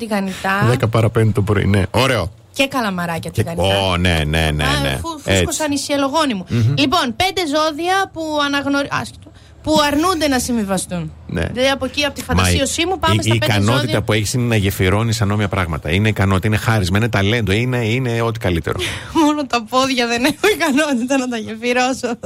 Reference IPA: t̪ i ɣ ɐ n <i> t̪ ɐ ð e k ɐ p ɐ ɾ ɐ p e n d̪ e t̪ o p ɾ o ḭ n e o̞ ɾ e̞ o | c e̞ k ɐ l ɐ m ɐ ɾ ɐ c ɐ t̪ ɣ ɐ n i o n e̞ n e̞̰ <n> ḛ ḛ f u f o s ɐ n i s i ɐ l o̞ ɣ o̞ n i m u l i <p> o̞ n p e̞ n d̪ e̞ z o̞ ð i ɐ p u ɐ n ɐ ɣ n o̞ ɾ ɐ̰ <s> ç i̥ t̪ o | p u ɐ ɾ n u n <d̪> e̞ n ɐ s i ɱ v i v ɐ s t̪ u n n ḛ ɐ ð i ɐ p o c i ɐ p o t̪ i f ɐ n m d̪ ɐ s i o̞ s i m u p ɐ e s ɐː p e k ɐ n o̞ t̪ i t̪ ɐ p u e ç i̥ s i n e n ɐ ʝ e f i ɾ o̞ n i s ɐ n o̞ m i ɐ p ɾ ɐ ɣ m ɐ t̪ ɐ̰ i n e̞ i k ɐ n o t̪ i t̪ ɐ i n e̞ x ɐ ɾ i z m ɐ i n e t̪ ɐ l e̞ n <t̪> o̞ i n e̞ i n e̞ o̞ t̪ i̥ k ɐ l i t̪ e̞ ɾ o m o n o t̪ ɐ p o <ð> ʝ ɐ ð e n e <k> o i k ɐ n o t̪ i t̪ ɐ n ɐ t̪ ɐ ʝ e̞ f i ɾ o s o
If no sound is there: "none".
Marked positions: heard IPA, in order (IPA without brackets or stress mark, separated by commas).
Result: i, n, p, s, d̪, d̪, ð, x